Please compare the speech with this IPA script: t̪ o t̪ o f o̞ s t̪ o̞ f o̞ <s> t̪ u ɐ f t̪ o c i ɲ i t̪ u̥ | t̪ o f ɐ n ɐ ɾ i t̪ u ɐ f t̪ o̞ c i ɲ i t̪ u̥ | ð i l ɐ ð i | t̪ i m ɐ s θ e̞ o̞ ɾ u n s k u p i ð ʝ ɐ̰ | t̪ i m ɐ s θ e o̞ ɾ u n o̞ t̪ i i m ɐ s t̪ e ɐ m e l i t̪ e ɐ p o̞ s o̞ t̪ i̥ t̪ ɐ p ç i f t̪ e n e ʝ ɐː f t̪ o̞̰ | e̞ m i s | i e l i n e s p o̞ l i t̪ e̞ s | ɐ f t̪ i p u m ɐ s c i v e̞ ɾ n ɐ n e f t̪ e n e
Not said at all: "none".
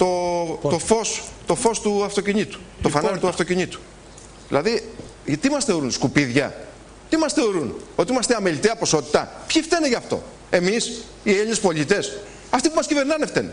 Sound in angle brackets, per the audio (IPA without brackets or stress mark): s